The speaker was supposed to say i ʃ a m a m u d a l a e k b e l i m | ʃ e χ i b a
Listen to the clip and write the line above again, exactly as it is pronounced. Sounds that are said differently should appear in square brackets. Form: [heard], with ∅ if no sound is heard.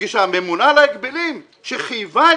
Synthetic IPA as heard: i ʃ a m [e] m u [n] a l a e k b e l i m | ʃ e χ i [v] a